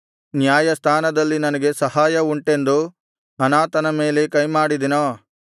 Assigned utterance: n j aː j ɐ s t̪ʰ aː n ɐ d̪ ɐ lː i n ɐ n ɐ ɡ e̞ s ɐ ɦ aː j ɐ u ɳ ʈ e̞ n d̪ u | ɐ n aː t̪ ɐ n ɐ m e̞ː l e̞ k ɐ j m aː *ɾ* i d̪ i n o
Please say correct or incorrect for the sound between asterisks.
incorrect